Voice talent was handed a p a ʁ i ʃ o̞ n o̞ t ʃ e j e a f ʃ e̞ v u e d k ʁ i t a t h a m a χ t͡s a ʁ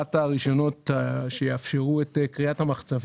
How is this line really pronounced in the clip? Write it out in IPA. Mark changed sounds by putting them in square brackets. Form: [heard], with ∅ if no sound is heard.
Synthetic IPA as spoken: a [t] a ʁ i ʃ o̞ n o̞ t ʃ e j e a f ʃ e̞ [ʁ] u e [t] k ʁ i [∅] a t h a m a χ t͡s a [v]